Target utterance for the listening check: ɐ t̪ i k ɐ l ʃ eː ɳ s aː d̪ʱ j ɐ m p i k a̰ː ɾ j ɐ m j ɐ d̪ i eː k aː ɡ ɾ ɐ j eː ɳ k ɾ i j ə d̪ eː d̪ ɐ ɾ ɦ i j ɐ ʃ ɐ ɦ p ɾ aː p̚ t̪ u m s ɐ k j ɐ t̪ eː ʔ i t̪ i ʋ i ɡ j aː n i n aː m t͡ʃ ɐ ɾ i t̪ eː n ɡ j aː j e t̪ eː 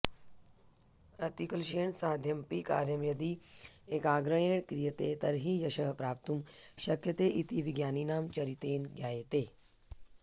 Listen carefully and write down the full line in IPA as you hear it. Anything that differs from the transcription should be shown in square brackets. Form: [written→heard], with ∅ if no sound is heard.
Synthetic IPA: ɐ t̪ i k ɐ l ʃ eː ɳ s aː d̪ʱ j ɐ m p i k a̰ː ɾ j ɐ m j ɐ d̪ i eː k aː ɡ ɾ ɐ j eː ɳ k ɾ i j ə [d̪→t̪] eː [d̪→t̪] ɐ ɾ ɦ i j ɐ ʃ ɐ ɦ p ɾ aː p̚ t̪ u m [s→ʃ] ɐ k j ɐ t̪ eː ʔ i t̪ i ʋ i ɡ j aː n i n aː m t͡ʃ ɐ ɾ i t̪ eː n ɡ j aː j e t̪ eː